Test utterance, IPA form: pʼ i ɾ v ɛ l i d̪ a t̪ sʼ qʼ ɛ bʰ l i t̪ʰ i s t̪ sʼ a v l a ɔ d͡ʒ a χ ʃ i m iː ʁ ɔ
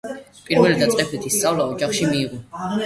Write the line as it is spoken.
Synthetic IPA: pʼ i ɾ v ɛ l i d̪ a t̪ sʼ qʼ ɛ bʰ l i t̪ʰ i s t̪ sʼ a v l a ɔ d͡ʒ a χ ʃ i m iː ʁ ɔ